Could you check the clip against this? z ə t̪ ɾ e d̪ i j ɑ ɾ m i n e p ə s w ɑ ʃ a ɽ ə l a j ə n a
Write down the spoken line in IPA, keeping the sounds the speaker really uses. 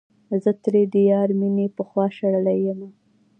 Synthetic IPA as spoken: z ə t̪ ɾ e d̪ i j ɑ ɾ m i n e p ə x w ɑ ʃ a ɽ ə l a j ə m a